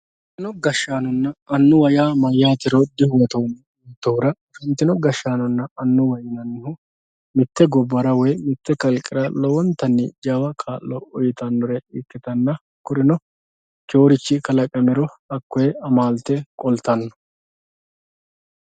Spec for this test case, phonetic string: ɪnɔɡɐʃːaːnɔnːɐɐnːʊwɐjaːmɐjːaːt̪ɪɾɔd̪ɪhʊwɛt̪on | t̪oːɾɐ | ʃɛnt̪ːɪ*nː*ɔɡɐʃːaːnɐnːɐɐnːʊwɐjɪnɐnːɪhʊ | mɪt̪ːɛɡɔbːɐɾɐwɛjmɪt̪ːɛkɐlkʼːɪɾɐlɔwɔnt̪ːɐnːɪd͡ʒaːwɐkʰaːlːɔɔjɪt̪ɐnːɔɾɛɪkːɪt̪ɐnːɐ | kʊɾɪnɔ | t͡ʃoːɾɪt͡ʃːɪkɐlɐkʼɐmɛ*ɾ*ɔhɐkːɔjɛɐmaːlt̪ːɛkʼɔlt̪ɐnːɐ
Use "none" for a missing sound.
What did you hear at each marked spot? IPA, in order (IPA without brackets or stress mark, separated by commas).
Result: n, ɾ